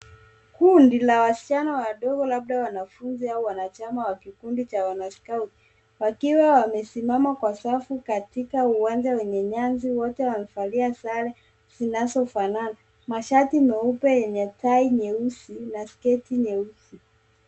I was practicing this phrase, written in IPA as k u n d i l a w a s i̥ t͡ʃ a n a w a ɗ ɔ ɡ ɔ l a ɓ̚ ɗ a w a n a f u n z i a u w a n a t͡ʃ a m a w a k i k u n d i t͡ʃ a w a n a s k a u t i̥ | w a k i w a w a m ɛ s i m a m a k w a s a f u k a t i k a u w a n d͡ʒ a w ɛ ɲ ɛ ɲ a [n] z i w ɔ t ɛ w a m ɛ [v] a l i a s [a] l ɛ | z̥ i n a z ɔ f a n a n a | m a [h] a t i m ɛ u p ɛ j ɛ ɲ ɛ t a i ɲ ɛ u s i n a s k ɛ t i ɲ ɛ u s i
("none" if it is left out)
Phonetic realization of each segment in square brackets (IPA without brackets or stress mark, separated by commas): n, f, a, ʃ